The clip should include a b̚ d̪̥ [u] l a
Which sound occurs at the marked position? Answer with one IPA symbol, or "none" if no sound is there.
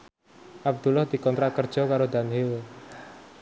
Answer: u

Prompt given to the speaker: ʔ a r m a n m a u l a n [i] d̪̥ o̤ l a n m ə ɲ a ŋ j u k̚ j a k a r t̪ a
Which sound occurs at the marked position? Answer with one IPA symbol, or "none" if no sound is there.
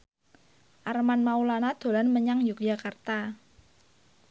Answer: a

